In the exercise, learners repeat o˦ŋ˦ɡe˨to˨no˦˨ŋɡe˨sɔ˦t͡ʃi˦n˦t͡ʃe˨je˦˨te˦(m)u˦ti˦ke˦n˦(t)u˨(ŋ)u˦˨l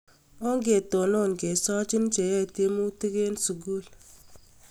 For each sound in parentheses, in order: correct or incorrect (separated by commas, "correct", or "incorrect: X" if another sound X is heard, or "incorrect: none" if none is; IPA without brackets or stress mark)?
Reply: correct, incorrect: s, incorrect: ɡ